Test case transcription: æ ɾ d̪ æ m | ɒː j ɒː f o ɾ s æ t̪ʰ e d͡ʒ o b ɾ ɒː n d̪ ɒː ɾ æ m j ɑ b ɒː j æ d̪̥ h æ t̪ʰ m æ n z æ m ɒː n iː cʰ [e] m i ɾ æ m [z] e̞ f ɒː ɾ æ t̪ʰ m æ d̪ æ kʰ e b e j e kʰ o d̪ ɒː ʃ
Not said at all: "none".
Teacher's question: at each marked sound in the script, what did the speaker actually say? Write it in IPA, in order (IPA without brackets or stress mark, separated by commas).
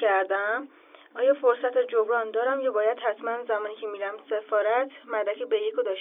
e, s